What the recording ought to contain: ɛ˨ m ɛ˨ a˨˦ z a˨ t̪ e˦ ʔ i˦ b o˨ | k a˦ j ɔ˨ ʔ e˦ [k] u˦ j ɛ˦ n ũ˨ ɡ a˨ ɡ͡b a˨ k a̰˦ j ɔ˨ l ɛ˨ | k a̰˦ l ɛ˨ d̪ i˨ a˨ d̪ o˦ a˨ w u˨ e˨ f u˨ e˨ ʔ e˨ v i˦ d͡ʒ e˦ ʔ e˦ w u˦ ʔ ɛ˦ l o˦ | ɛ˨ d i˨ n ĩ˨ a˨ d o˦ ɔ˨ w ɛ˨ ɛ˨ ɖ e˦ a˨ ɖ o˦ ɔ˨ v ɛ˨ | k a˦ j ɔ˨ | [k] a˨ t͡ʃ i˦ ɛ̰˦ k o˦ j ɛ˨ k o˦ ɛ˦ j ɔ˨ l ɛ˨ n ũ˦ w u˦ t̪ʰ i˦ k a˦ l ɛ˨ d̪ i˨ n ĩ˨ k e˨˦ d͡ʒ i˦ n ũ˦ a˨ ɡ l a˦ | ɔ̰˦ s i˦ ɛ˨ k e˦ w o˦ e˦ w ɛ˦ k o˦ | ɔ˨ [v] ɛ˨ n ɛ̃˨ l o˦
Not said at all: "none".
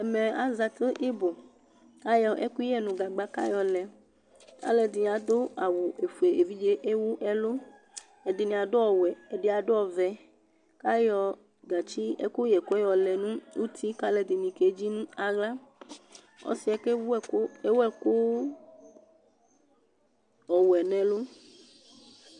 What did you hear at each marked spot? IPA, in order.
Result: k, ɡ, w

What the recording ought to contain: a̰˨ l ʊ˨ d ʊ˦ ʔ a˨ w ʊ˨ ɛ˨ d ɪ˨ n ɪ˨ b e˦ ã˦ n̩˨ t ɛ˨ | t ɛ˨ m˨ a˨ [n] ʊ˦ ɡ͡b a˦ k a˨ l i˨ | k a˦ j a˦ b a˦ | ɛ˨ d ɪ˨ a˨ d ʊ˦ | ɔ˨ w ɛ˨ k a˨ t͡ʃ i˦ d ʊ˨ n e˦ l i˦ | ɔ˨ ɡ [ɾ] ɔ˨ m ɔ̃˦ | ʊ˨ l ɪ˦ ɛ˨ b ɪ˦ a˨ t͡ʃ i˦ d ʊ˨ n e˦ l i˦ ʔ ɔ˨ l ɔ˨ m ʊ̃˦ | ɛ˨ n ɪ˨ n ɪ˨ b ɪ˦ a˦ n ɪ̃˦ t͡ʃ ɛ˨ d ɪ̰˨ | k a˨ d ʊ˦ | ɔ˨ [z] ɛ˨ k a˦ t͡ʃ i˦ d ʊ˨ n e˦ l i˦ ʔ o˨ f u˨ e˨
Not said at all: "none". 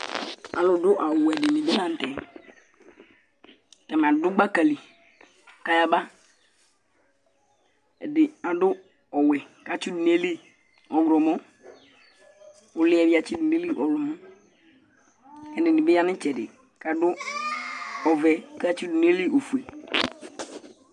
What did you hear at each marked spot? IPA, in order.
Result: d, ɾ, v

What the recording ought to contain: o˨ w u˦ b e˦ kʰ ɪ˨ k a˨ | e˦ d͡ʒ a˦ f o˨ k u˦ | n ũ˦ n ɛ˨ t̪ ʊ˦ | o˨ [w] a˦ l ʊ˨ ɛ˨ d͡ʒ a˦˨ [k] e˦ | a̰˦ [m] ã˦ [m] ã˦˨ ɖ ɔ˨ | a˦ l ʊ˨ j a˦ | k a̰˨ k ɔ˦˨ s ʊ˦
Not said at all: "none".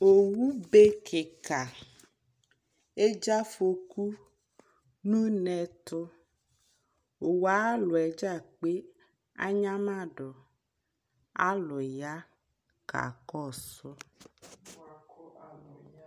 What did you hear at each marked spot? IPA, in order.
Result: w, k͡p, ɲ, m

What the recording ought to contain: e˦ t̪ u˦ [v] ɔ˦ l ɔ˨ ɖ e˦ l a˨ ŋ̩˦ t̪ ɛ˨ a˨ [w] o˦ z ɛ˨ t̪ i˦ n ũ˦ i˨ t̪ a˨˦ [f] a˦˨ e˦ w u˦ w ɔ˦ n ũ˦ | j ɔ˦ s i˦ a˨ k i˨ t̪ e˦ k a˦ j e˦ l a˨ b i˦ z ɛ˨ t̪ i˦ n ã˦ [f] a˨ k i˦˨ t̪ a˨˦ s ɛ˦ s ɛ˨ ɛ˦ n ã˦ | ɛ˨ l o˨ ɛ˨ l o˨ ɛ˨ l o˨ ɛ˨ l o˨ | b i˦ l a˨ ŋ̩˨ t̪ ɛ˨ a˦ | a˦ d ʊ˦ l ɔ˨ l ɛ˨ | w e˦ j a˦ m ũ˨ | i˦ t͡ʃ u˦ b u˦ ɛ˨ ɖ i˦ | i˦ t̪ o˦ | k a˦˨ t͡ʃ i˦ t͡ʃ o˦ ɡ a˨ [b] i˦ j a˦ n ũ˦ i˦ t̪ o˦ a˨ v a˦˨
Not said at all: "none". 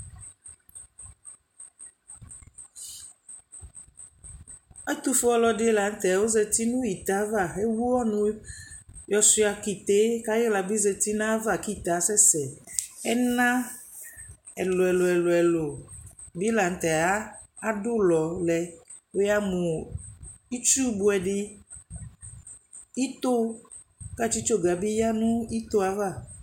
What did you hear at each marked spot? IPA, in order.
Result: f, w, v, v, b

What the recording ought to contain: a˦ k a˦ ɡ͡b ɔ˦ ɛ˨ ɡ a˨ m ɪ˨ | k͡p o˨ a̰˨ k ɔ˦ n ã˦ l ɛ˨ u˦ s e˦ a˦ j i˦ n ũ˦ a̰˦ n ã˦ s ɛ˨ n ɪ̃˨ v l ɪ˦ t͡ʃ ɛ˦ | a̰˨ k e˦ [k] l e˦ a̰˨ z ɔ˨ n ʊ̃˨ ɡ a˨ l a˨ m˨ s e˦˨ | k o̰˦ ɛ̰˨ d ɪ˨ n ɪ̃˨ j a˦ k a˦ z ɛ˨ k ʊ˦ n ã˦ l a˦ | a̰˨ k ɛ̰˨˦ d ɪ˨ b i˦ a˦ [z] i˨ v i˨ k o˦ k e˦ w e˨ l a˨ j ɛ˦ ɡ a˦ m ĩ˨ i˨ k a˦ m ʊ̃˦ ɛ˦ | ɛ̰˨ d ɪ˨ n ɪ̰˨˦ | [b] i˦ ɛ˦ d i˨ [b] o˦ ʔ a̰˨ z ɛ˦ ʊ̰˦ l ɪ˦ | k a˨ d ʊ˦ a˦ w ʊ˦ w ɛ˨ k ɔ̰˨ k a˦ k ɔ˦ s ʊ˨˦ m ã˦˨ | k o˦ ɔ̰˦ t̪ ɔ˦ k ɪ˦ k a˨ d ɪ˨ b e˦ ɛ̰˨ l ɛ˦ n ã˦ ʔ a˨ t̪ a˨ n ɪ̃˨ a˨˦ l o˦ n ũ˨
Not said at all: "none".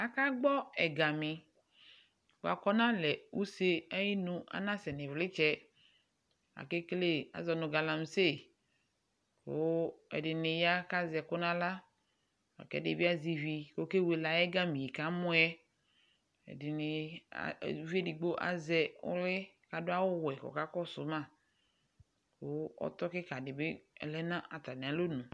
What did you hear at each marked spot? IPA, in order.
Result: k, z, v, ɡ͡b

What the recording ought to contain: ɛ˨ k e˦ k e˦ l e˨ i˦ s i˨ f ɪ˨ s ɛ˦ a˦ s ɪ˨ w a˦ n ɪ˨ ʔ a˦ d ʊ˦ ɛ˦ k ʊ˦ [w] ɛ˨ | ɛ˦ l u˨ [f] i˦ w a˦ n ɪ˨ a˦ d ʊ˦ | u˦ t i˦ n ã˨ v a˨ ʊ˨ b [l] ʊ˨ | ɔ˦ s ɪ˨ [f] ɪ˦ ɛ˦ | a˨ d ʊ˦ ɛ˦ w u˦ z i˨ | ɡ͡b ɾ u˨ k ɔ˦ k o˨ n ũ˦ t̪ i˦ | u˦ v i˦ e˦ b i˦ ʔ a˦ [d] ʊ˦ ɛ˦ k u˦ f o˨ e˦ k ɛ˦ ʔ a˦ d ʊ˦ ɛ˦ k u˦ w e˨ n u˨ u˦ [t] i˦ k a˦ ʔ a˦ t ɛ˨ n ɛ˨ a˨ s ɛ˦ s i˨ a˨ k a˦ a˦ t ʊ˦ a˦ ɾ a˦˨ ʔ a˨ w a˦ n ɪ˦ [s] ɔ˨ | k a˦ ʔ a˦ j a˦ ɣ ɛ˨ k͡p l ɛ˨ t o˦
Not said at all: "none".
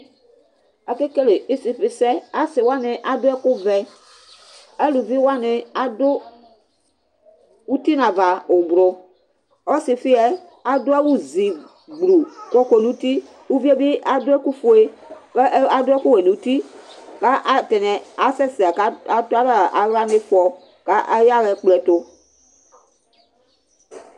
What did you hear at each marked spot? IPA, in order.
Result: v, v, ɾ, f, d, t, f

